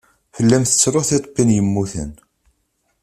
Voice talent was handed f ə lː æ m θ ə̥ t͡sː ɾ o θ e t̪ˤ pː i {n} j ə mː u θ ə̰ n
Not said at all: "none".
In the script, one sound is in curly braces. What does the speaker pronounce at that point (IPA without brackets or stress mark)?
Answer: n